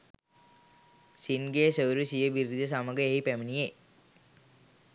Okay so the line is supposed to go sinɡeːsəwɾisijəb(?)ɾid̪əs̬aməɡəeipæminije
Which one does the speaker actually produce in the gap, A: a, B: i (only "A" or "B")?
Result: B